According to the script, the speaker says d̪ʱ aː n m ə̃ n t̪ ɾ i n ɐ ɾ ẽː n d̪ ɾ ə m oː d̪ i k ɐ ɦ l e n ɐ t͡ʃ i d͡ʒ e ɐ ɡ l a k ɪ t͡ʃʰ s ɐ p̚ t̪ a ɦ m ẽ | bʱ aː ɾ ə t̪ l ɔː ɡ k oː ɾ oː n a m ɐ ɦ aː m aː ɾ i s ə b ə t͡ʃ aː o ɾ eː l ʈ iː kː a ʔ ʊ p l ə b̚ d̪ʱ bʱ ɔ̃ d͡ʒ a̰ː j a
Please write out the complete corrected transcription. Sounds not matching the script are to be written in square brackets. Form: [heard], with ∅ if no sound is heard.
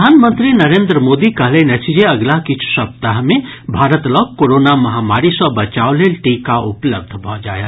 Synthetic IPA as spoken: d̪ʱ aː n m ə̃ n t̪ ɾ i n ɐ ɾ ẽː n d̪ ɾ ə m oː d̪ i k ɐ ɦ l e n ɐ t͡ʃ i d͡ʒ e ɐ ɡ l a k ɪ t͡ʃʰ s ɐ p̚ t̪ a ɦ m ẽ | bʱ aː ɾ ə t̪ l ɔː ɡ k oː ɾ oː n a m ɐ ɦ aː m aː ɾ i s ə b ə t͡ʃ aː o [l] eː l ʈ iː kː a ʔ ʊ p l ə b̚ d̪ʱ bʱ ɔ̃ d͡ʒ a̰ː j a

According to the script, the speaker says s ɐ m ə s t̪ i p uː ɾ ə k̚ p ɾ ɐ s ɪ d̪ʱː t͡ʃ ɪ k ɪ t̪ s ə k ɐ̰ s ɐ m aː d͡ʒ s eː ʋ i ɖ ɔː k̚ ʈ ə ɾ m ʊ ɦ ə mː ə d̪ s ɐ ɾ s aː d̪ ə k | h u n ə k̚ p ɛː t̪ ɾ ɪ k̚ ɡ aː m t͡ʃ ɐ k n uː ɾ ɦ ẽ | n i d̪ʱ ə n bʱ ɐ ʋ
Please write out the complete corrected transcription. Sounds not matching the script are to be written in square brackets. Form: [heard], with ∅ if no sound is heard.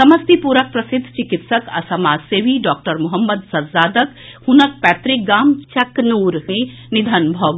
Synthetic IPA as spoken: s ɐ m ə s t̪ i p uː ɾ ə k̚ p ɾ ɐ s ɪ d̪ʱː t͡ʃ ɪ k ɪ t̪ s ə k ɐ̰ s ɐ m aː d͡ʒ s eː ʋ i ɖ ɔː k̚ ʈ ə ɾ m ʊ ɦ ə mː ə d̪ s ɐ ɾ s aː d̪ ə k | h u n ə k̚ p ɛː t̪ ɾ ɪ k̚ ɡ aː m t͡ʃ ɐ k n uː ɾ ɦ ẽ | n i d̪ʱ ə n bʱ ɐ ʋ

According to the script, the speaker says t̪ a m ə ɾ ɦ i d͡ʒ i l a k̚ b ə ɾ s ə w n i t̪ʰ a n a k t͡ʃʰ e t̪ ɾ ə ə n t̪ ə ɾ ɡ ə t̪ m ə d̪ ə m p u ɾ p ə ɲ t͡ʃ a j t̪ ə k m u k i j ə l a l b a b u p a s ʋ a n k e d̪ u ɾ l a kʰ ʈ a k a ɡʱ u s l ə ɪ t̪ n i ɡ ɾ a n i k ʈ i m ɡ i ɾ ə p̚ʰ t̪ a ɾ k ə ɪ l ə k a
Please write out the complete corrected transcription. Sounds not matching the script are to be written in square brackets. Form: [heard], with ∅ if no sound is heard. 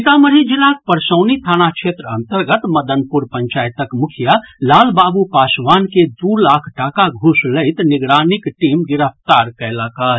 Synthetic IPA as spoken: t̪ a m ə ɾ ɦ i d͡ʒ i l a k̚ [p] ə ɾ s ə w n i t̪ʰ a n a k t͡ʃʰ e t̪ ɾ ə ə n t̪ ə ɾ ɡ ə t̪ m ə d̪ ə [n] p u ɾ p ə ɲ t͡ʃ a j t̪ ə k m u [kʰ] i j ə l a l b a b u p a s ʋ a n k e d̪ u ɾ l a kʰ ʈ a k a ɡʱ u s l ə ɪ t̪ n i ɡ ɾ a n i k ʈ i m ɡ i ɾ ə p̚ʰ t̪ a ɾ k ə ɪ l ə k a

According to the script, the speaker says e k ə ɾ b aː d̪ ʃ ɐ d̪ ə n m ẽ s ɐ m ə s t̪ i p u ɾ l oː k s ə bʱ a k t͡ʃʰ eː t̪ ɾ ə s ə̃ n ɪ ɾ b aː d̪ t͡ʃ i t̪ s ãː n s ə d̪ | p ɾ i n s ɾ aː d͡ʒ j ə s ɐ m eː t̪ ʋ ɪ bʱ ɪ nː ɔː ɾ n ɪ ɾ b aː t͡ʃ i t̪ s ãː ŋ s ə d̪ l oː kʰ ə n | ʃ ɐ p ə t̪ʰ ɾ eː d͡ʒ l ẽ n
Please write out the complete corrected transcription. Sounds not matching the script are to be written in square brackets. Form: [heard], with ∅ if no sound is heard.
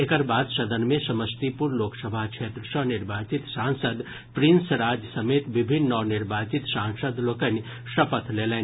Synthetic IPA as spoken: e k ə ɾ b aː d̪ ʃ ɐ d̪ ə n m ẽ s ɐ m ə s t̪ i p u ɾ l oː k s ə bʱ a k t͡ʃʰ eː t̪ ɾ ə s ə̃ n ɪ ɾ b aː [∅] t͡ʃ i t̪ s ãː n s ə d̪ | p ɾ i n s ɾ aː d͡ʒ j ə s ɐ m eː t̪ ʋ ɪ bʱ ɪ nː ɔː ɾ n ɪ ɾ b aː t͡ʃ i t̪ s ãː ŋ s ə d̪ l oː [k] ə n | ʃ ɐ p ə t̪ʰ [l] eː [∅] l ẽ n

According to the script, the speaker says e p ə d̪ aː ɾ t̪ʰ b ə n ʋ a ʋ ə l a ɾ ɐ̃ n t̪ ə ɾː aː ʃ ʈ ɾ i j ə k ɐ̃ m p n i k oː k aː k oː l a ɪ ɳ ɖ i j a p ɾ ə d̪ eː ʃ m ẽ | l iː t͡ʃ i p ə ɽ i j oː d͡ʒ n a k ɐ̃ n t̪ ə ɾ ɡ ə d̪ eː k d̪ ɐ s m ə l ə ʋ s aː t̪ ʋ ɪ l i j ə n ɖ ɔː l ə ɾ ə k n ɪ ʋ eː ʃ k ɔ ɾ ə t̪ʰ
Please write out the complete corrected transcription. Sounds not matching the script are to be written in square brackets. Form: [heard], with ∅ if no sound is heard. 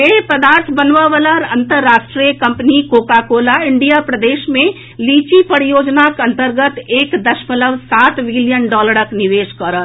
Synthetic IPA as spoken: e p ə d̪ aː ɾ t̪ʰ b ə n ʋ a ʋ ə l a ɾ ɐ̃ n t̪ ə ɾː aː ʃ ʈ ɾ i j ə k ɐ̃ m p n i k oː k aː k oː l a ɪ ɳ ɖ i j a p ɾ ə d̪ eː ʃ m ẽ | l iː t͡ʃ i p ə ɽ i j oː d͡ʒ n a k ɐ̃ n t̪ ə ɾ ɡ ə [t̪] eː k d̪ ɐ [ʃ] m ə l ə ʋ s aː t̪ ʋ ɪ l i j ə n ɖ ɔː l ə ɾ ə k n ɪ ʋ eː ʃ k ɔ ɾ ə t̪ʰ

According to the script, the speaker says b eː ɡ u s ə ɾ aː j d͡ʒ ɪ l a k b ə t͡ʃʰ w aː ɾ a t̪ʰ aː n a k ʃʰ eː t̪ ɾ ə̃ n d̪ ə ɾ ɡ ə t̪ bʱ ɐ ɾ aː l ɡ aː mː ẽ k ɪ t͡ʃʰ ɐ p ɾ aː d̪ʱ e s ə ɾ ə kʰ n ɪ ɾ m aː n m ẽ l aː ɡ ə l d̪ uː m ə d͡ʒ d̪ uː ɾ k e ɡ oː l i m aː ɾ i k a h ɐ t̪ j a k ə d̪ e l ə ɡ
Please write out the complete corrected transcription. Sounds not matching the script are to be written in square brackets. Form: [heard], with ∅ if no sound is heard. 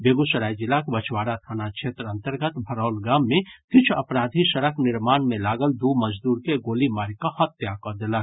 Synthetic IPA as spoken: b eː ɡ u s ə ɾ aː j d͡ʒ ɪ l a k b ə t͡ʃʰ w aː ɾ a t̪ʰ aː n a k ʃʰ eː t̪ ɾ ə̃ n [t̪] ə ɾ ɡ ə t̪ bʱ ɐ ɾ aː l ɡ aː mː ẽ k ɪ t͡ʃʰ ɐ p ɾ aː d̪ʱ [i] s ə ɾ ə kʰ n ɪ ɾ m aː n m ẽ l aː ɡ ə l d̪ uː m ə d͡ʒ d̪ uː ɾ k e ɡ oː l i m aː ɾ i k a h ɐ t̪ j a k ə d̪ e l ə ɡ

